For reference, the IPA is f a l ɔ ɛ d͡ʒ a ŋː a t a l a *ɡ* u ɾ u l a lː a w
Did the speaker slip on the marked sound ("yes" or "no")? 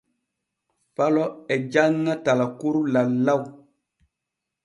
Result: yes